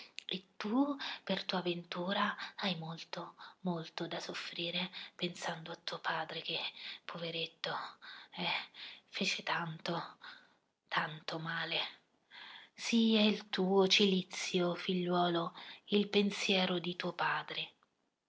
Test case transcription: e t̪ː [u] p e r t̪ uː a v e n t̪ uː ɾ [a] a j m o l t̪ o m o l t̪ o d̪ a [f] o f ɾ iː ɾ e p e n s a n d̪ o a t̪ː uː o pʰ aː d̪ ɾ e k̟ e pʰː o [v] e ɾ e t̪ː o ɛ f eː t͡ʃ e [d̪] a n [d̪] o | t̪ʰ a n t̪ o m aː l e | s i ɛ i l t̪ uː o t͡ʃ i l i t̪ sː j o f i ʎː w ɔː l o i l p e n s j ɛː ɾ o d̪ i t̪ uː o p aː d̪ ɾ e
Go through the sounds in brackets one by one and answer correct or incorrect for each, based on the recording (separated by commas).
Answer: correct, correct, incorrect, correct, incorrect, incorrect